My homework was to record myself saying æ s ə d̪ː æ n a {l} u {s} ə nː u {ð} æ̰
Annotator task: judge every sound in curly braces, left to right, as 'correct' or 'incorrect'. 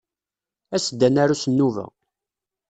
incorrect, correct, incorrect

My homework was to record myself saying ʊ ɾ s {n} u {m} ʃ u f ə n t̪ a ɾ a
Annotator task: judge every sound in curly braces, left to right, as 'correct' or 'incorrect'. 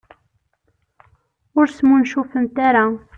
incorrect, incorrect

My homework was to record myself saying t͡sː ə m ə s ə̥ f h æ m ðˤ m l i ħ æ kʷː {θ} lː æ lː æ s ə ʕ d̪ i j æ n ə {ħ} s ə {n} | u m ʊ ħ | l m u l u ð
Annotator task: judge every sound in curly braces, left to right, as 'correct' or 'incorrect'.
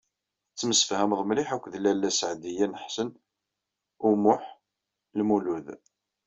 incorrect, correct, correct

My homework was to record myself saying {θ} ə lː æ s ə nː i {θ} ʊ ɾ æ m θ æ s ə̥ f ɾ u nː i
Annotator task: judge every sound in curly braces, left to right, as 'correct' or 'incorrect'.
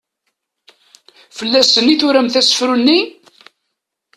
incorrect, correct

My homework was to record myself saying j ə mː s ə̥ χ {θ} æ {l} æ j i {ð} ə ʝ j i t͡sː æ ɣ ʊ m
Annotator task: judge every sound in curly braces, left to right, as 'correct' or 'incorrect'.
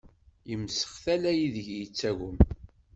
correct, correct, correct

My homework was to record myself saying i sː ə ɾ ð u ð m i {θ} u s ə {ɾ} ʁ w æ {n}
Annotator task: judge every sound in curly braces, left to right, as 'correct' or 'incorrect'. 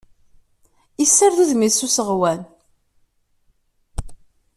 incorrect, incorrect, correct

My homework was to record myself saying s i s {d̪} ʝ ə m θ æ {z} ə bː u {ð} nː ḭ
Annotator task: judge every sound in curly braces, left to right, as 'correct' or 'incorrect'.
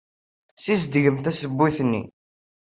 correct, incorrect, incorrect

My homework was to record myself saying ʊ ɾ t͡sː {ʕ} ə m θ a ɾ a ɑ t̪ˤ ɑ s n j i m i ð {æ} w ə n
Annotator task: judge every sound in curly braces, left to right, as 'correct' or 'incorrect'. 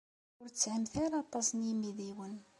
correct, incorrect

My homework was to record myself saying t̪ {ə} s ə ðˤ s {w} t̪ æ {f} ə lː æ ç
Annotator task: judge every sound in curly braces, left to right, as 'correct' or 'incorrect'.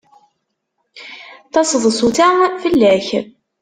incorrect, incorrect, correct

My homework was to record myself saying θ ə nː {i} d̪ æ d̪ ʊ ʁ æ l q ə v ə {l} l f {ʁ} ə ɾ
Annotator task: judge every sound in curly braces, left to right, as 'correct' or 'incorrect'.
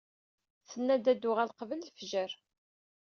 incorrect, correct, incorrect

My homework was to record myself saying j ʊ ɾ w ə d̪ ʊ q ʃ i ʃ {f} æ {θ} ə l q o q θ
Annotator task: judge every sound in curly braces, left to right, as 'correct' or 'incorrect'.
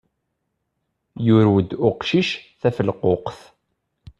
incorrect, incorrect

